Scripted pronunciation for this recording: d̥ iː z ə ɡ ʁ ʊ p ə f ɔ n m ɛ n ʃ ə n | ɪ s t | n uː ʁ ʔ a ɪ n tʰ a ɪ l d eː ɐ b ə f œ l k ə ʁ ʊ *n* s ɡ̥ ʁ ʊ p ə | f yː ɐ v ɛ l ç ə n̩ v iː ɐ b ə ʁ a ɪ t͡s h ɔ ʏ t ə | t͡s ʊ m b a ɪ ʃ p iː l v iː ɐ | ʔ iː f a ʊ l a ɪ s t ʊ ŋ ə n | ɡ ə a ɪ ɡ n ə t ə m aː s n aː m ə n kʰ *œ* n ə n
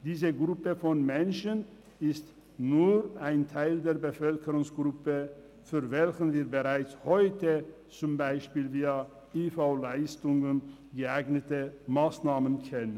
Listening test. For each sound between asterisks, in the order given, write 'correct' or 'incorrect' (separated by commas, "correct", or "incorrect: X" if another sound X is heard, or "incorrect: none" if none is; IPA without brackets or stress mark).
incorrect: ŋ, incorrect: ɛ